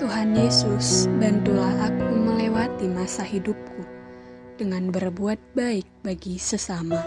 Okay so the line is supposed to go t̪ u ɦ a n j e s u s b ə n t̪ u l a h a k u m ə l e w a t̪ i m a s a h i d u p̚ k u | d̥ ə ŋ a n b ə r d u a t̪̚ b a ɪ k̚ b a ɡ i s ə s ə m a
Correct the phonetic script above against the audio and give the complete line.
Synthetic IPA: t̪ u ɦ a n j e s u s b a n t̪ u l a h a k u m ə l e w a t̪ i m a s a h i d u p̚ k u | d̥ ə ŋ a n b ə r b u a t̪̚ b a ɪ k̚ b a ɡ i s ə s a m a